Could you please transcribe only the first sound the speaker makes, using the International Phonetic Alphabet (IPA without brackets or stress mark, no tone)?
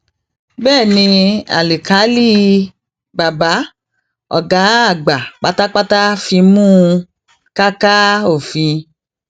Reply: b